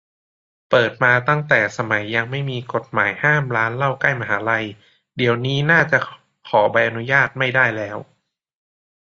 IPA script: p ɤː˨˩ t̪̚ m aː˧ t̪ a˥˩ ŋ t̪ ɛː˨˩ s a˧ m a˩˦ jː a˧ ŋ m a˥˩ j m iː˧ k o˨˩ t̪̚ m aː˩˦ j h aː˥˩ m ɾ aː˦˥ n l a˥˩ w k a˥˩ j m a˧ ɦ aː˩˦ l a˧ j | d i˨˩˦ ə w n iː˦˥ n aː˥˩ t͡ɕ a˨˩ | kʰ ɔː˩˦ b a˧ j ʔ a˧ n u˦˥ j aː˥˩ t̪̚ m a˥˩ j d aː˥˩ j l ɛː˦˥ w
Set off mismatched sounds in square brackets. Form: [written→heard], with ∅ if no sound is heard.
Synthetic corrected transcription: p ɤː˨˩ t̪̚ m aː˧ t̪ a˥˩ ŋ t̪ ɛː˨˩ s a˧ m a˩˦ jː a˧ ŋ m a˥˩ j m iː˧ k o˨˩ t̪̚ m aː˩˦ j h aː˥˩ m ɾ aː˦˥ n l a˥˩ w k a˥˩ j m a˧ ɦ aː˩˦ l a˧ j | d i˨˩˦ ə w n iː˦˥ n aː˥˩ t͡ɕ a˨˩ | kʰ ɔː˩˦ b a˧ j ʔ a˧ n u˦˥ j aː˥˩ t̪̚ m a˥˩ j d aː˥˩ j l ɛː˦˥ w